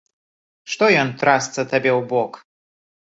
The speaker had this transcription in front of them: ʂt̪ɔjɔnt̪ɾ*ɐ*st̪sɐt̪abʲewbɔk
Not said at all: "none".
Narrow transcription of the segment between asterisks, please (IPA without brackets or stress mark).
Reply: a